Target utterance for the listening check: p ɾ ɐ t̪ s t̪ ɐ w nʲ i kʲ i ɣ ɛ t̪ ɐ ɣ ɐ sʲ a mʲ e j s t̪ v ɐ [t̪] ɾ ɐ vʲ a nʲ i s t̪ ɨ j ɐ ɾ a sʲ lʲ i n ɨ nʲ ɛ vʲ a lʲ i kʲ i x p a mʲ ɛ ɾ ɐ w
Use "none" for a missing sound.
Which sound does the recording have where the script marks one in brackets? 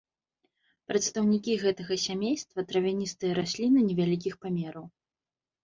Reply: t̪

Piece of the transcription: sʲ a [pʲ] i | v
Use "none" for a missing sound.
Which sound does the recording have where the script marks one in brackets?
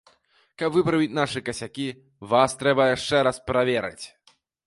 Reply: kʲ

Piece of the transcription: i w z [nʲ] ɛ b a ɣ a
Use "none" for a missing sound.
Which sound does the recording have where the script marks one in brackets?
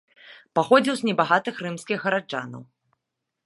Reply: nʲ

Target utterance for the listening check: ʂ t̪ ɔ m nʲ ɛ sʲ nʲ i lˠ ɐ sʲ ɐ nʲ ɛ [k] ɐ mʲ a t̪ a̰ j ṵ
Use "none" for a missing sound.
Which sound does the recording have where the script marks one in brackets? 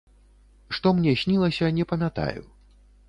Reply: p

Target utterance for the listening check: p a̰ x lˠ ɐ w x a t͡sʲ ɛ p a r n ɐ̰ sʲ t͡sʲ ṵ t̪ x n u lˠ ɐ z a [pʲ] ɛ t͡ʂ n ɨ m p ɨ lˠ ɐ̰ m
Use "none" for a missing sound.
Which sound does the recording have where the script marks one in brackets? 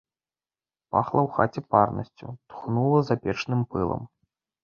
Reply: pʲ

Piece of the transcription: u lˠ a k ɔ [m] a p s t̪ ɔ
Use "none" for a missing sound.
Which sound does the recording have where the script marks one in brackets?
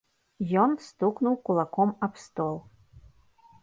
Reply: m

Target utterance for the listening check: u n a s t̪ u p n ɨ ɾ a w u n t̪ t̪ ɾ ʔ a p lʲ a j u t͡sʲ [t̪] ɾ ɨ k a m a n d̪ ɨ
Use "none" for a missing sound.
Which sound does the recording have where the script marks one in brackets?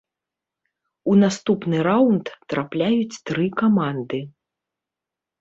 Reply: t̪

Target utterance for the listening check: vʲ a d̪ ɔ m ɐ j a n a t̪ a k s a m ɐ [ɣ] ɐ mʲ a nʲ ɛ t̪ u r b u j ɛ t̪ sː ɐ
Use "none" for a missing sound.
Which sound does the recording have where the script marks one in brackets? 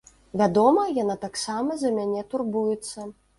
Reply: z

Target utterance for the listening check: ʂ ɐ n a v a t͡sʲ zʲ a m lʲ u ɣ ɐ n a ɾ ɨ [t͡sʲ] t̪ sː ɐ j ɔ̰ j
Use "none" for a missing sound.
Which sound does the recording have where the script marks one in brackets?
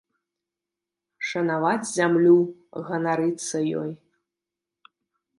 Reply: none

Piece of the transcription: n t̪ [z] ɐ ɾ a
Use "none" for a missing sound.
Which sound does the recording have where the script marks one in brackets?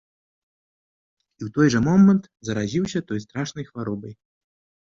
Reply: z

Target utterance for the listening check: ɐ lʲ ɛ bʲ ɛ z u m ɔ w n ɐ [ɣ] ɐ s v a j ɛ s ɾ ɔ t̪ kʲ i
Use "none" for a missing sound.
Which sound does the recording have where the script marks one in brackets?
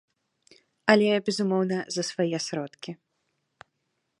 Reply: z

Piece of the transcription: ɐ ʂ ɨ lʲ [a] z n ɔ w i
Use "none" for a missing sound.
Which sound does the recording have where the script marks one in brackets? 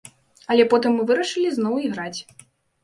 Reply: i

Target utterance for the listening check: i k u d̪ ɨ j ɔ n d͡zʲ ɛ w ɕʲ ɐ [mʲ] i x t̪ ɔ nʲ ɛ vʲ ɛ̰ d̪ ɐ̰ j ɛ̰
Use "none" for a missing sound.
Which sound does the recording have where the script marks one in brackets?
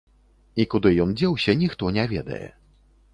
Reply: nʲ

